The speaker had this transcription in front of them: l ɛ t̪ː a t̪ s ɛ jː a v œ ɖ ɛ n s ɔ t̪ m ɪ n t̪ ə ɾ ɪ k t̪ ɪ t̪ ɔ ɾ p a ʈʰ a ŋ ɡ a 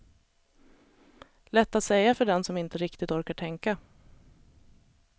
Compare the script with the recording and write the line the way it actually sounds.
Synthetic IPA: l ɛ t̪ː a t̪ s ɛ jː a f œ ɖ ɛ n s ɔ m ɪ n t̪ ə ɾ ɪ k t̪ ɪ t̪ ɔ ɾ k a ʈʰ ɛ ŋ k a